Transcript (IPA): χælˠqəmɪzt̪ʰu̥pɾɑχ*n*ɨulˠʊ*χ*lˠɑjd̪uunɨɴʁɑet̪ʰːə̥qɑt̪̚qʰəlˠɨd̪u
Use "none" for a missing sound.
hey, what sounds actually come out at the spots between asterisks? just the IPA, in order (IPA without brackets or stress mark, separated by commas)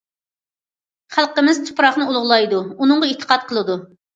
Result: n, ʁ